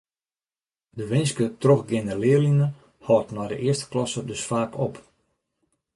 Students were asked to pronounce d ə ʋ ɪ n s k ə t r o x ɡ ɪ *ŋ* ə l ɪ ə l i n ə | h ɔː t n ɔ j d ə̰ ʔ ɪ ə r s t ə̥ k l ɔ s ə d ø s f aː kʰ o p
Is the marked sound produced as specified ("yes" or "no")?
no